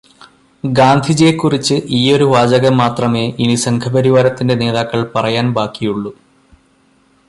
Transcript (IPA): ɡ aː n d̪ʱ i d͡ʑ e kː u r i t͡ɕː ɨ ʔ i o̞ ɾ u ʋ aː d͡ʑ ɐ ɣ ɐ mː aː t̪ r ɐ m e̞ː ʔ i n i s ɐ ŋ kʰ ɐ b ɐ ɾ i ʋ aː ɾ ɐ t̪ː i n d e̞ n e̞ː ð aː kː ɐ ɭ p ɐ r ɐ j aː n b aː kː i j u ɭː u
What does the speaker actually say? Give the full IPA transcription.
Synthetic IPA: ɡ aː n d̪ʱ i d͡ʑ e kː u r i t͡ɕː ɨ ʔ iː o̞ ɾ u ʋ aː d͡ʑ ɐ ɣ ɐ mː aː t̪ r ɐ m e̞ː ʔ i n i s ɐ ŋ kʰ ɐ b ɐ ɾ i ʋ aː ɾ ɐ t̪ː i n d e̞ n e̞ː ð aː kː ɐ ɭ p ɐ r ɐ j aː n b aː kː i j u ɭː u

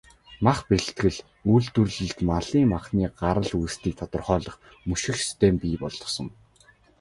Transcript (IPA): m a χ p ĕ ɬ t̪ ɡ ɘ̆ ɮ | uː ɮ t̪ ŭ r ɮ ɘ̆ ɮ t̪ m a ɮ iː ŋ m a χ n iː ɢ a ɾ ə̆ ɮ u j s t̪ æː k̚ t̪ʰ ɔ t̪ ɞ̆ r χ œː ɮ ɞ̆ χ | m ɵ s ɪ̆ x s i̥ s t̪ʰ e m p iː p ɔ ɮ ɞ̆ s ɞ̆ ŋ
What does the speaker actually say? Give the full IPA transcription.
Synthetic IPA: m a χ p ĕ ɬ t̪ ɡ ɘ̆ ɮ | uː ɮ t̪ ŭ r ɮ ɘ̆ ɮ t̪ m a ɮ iː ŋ m a χ n iː ɢ a ɾ ə̆ ɮ u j s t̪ iː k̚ t̪ʰ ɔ t̪ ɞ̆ r χ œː ɮ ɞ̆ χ | m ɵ ʃ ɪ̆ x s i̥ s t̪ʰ e m p iː p ɔ ɮ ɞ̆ s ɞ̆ ŋ

